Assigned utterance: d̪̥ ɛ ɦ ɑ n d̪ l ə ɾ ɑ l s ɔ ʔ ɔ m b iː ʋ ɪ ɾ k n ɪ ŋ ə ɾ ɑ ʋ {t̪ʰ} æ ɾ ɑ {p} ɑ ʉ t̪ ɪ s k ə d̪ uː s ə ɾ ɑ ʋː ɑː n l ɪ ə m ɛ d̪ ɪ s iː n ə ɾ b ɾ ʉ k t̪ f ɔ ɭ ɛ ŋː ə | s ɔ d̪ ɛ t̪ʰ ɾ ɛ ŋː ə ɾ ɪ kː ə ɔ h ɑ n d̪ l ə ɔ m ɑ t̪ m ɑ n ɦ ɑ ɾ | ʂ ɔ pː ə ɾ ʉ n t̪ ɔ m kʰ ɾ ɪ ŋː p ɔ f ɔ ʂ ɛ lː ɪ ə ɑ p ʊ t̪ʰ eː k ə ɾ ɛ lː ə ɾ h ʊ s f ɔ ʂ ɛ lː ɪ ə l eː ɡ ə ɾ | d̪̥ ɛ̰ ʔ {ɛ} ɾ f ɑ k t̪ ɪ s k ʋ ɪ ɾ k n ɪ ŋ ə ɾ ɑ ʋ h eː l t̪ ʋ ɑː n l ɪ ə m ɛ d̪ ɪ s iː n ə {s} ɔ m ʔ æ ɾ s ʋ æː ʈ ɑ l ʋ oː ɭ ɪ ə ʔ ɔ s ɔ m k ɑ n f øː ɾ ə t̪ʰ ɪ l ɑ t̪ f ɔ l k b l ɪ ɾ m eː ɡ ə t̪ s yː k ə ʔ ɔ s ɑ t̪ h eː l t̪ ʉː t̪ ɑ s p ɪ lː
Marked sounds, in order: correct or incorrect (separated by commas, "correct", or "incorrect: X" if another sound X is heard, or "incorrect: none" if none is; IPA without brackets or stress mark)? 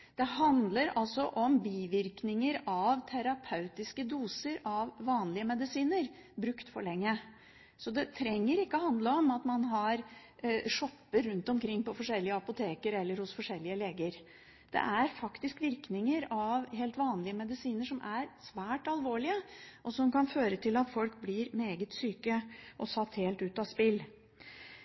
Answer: correct, incorrect: pʰ, incorrect: æ, incorrect: ʂ